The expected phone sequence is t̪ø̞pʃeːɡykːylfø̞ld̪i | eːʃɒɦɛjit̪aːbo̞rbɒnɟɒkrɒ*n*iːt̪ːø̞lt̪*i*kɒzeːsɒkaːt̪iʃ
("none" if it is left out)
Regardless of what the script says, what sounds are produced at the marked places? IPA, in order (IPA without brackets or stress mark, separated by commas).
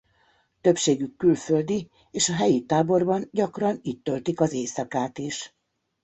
n, i